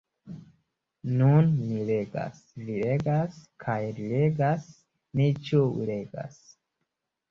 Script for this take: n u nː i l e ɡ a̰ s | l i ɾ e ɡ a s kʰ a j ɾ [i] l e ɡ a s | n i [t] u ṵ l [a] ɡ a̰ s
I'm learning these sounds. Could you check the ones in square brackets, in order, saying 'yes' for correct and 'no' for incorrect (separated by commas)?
yes, no, no